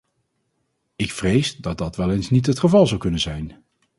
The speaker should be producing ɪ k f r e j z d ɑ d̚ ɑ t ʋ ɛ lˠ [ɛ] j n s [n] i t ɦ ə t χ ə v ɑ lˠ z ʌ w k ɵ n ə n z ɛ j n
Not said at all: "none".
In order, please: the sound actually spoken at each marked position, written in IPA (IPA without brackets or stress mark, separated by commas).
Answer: e, n